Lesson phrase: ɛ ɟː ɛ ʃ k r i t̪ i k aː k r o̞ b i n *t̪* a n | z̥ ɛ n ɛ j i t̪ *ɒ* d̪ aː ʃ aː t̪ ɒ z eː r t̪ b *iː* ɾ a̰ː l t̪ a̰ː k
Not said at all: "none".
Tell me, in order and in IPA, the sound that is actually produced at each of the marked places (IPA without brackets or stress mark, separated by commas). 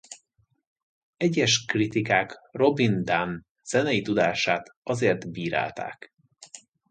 d̪, u, iː